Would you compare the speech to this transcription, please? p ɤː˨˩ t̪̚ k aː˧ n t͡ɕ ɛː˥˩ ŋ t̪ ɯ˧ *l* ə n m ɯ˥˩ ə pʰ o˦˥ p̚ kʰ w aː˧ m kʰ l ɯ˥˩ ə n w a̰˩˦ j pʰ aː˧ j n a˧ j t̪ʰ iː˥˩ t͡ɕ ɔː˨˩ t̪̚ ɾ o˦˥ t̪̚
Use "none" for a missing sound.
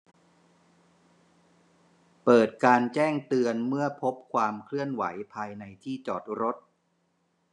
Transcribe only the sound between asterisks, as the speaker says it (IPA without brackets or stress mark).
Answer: none